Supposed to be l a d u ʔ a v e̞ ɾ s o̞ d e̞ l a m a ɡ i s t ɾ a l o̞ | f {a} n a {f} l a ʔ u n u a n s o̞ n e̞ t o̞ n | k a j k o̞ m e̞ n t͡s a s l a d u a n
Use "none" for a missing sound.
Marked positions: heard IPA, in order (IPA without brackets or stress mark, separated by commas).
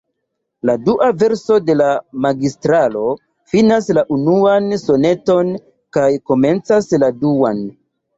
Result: i, s